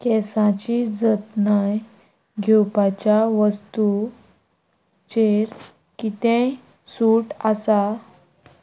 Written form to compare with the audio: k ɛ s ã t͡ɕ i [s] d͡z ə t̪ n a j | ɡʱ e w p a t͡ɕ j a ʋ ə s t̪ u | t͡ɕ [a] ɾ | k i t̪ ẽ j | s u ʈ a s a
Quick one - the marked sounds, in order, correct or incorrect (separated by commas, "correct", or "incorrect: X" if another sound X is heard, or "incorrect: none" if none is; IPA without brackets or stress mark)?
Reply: incorrect: none, incorrect: e